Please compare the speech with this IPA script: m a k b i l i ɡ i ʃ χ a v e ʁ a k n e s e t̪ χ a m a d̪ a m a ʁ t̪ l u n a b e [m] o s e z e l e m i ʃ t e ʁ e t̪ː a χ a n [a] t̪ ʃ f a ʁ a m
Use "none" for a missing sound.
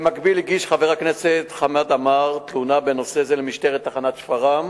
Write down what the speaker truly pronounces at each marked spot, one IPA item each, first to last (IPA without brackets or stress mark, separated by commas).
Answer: n, a